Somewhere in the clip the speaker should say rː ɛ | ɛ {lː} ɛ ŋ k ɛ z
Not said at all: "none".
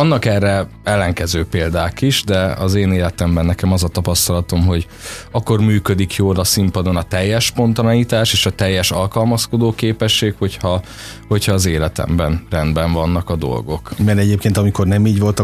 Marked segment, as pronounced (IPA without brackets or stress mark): lː